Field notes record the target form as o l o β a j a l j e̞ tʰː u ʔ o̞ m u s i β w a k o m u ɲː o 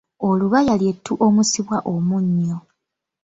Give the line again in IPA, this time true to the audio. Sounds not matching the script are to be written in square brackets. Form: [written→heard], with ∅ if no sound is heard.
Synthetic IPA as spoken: o l [o→u] β a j a l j e̞ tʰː u ʔ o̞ m u s i β w a [k→ʔ] o m u ɲː o